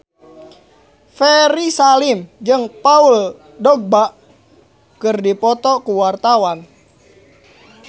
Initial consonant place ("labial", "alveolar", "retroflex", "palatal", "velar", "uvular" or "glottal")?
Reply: labial